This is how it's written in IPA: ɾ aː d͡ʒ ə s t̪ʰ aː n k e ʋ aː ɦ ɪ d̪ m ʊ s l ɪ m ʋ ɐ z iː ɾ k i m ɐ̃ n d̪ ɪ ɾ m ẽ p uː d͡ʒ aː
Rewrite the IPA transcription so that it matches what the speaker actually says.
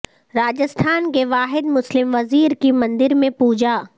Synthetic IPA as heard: ɾ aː d͡ʒ ə s t̪ʰ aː n k e ʋ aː ɦ ɪ d̪ m ʊ s l ɪ m ʋ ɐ z iː ɾ k i m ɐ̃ n d̪ ɪ ɾ m ẽ p uː d͡ʒ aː